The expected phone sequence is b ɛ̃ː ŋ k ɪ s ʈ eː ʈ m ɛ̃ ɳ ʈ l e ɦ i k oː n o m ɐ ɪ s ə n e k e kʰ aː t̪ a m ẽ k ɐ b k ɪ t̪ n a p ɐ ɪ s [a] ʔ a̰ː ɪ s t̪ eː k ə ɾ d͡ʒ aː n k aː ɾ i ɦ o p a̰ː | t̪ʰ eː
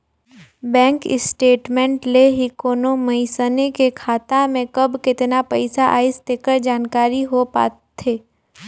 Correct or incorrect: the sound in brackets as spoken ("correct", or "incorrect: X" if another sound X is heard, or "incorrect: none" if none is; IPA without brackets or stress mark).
correct